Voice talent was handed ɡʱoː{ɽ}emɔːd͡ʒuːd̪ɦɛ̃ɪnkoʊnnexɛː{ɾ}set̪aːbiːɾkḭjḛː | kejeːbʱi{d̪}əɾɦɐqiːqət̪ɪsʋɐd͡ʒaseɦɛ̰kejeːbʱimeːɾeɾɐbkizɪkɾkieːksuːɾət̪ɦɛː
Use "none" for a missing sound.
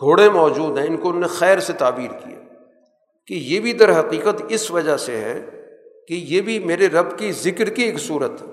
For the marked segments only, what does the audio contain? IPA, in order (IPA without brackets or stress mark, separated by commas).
ɽ, ɾ, d̪